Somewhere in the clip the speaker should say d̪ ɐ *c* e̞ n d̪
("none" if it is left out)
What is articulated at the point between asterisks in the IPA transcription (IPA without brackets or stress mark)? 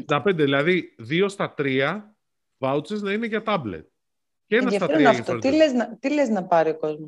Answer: p